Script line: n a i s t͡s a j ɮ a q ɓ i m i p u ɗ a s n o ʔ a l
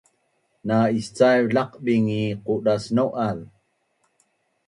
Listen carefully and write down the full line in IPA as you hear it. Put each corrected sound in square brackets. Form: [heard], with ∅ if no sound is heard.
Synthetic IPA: n a i s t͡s a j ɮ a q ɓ i [ŋ] i [q] u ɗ a s n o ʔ a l